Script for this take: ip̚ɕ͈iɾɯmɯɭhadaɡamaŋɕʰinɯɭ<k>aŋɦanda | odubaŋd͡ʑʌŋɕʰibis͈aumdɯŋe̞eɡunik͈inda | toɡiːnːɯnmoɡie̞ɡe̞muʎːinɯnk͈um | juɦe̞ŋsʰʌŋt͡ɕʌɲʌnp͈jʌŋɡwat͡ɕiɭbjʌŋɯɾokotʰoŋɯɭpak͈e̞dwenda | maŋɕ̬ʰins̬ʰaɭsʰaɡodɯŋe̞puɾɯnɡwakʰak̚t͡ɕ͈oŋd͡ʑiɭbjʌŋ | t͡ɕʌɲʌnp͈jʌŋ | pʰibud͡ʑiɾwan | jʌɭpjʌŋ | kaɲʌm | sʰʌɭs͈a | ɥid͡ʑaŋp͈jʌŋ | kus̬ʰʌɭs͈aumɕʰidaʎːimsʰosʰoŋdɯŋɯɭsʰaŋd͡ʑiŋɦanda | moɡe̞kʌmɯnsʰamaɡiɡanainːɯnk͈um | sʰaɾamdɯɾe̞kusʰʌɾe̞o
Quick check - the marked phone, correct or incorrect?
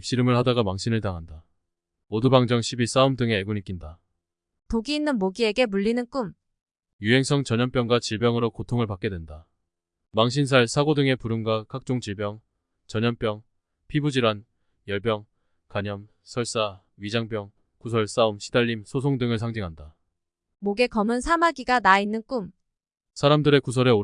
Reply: incorrect: t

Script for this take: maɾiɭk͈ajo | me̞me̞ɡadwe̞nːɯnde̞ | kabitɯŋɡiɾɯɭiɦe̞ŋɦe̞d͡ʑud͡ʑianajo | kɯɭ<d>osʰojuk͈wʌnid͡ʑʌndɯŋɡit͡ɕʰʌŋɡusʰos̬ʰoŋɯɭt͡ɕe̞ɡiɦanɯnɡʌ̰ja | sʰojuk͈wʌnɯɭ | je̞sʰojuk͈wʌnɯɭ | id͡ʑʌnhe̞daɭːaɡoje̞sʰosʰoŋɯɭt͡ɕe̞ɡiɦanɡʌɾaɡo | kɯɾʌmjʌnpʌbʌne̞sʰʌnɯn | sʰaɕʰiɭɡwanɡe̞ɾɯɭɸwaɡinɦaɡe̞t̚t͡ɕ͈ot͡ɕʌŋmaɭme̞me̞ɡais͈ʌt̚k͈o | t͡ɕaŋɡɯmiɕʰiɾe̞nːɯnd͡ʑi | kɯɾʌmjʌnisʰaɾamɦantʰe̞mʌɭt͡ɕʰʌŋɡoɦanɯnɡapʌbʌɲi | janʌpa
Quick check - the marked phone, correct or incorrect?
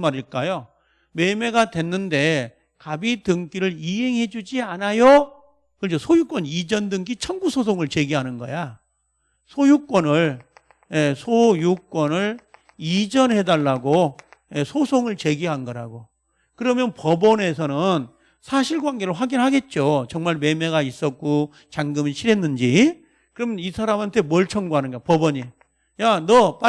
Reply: incorrect: d͡ʑ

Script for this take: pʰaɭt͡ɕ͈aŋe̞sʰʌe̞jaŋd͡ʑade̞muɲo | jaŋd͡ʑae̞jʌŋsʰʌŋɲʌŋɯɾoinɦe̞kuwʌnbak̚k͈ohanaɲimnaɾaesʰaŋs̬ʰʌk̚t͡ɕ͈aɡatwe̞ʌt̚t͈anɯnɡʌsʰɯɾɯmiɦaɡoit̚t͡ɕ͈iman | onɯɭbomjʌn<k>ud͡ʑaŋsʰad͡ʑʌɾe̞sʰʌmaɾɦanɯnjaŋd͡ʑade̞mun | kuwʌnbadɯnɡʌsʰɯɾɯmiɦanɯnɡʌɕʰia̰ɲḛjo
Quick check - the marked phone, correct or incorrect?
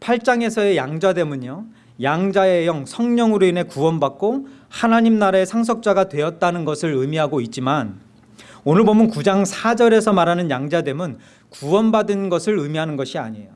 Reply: correct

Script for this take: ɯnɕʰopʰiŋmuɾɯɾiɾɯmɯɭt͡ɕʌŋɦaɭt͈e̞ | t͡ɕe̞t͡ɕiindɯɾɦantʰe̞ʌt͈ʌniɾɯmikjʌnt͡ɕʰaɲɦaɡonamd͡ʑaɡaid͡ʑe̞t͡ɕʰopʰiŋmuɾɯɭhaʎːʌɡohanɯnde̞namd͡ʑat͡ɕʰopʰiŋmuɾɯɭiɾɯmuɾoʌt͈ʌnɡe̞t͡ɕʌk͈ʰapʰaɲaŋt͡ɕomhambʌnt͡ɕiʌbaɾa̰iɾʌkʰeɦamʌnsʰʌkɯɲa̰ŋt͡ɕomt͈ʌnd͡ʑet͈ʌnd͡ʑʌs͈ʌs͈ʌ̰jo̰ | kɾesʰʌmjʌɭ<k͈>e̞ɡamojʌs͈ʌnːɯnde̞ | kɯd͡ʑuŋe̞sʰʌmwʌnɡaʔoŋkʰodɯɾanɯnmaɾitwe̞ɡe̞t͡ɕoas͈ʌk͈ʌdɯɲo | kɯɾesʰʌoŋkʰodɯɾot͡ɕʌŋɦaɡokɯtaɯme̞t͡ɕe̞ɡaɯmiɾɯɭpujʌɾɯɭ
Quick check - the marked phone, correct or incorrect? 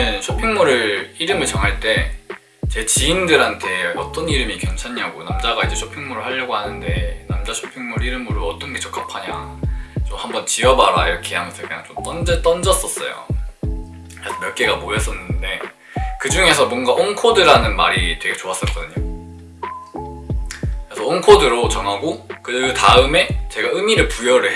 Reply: correct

